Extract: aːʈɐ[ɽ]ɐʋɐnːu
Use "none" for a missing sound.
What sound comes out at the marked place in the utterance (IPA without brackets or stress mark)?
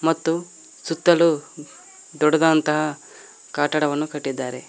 ɽ